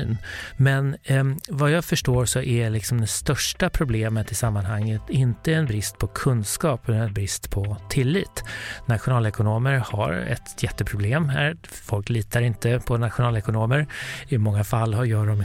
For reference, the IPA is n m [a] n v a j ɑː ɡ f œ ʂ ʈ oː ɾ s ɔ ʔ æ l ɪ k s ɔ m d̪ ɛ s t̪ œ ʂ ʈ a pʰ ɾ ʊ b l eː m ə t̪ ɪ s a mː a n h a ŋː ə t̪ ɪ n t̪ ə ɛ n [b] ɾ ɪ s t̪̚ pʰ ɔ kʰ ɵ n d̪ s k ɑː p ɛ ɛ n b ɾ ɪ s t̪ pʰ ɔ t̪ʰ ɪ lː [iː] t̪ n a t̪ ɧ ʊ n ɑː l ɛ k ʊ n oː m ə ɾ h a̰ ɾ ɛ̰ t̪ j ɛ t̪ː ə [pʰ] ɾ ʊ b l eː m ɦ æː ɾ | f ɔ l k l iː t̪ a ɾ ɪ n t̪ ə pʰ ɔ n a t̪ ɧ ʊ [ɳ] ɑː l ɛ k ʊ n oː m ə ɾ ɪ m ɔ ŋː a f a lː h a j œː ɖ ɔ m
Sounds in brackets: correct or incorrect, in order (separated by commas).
incorrect, correct, correct, correct, incorrect